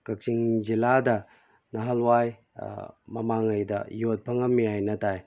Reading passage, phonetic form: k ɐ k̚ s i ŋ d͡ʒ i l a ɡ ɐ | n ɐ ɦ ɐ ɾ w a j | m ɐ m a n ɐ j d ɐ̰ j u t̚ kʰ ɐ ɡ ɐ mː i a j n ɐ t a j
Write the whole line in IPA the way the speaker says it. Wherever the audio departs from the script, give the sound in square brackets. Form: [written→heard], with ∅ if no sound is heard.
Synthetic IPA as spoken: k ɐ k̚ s i ŋ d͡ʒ i l a [ɡ→d] ɐ | n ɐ ɦ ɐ [ɾ→l] w a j | m ɐ m a [n→ŋ] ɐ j d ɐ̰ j [u→o] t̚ [kʰ→pʰ] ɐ [ɡ→ŋ] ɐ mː i a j n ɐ t a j